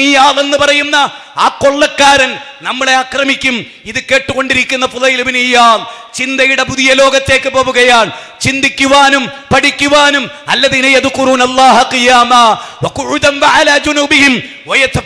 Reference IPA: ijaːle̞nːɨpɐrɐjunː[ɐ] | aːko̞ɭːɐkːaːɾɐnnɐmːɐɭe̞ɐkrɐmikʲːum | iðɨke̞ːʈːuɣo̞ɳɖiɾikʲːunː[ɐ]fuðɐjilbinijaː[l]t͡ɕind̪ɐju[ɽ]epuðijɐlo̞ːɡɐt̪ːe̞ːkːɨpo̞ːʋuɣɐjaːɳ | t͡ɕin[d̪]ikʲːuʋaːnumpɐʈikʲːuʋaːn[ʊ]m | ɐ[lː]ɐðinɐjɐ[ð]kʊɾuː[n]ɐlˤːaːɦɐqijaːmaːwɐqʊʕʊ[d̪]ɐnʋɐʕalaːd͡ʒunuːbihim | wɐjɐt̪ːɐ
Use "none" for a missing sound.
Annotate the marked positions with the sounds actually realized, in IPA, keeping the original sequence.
ɐ, ɐ, l, ɽ, d̪, u, lː, ð, n, d̪

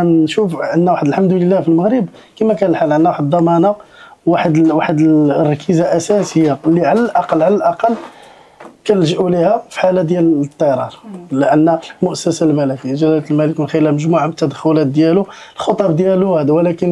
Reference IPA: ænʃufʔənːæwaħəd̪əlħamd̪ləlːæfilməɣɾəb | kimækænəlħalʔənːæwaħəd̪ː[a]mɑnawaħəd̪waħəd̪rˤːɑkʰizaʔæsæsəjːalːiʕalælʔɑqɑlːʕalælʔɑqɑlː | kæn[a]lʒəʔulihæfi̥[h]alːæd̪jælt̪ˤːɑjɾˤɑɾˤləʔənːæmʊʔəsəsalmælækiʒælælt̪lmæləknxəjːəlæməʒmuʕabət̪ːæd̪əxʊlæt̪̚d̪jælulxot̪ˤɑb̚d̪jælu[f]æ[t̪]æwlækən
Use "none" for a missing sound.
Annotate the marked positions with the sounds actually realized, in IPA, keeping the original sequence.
ɑ, ə, ħ, h, d̪

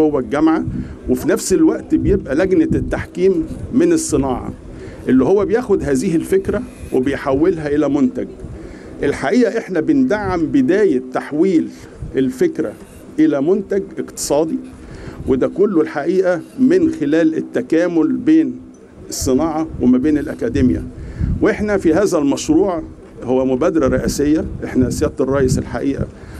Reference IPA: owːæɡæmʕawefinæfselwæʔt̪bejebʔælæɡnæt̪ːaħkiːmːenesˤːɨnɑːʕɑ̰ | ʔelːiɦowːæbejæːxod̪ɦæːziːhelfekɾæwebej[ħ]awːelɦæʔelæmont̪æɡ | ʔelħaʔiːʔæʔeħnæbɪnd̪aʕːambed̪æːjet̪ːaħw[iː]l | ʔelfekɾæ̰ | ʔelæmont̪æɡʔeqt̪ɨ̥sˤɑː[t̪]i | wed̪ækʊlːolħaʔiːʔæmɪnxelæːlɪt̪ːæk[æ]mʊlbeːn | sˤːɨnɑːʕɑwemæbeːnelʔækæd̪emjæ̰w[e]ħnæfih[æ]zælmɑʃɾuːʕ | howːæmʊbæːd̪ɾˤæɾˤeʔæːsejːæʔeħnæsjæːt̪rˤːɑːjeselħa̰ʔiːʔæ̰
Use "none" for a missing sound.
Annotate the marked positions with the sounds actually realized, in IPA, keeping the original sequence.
ħ, iː, d̪, æː, e, æː

